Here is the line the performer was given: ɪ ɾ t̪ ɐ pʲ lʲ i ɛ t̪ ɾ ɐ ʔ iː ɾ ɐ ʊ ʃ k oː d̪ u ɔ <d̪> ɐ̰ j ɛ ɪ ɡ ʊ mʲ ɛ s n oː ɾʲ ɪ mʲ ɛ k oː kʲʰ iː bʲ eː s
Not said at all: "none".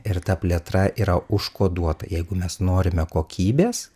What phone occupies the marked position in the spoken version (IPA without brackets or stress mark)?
t̪